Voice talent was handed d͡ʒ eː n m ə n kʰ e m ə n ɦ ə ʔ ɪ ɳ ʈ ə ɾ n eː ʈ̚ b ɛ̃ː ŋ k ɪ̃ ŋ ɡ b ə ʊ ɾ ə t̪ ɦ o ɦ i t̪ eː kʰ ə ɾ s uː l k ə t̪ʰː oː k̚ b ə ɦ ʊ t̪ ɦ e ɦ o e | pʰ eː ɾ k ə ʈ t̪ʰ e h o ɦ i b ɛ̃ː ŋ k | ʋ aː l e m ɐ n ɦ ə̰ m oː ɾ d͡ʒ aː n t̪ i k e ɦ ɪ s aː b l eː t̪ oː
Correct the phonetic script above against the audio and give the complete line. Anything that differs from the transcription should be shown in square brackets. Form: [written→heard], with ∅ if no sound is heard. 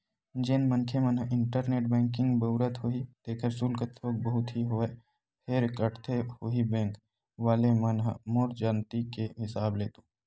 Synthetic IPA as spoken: d͡ʒ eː n m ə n kʰ e m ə n ɦ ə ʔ ɪ ɳ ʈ ə ɾ n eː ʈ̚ b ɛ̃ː ŋ k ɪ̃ ŋ ɡ b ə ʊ ɾ ə t̪ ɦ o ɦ i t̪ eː kʰ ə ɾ s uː l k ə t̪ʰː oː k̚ b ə ɦ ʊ t̪ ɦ [e→i] ɦ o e | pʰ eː ɾ k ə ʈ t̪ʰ e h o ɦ i b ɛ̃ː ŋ k | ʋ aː l e m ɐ n ɦ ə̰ m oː ɾ d͡ʒ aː n t̪ i k e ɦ ɪ s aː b l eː t̪ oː